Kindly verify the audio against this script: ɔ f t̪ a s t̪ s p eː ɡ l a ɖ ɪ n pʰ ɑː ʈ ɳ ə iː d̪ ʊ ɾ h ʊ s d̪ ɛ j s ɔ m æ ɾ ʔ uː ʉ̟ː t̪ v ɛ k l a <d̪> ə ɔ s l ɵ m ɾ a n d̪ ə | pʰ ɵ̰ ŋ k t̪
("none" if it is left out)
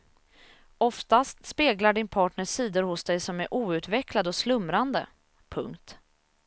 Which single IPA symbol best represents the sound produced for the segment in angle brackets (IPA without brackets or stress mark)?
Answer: d̪